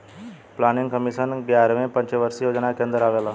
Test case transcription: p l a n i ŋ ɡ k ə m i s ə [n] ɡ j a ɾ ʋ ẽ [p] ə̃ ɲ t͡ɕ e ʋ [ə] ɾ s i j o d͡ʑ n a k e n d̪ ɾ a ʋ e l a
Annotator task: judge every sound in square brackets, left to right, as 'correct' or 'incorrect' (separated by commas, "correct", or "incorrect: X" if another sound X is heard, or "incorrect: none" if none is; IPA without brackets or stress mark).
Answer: correct, correct, correct